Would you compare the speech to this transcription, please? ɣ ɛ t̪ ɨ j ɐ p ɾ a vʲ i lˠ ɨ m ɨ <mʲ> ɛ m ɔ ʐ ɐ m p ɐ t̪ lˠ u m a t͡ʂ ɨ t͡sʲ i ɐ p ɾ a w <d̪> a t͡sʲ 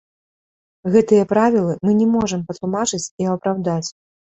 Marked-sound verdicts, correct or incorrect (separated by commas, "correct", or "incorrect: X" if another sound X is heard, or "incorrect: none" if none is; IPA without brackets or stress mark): incorrect: nʲ, correct